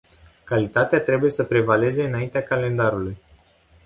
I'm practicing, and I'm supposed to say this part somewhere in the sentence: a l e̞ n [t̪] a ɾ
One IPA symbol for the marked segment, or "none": d̪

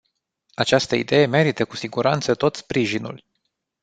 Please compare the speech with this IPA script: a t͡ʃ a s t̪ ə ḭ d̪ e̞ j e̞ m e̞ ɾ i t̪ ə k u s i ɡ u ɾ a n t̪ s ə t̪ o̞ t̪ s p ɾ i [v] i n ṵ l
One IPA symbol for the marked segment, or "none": ʒ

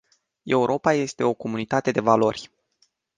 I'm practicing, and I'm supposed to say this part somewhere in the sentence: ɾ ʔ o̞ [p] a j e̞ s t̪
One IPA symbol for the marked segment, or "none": p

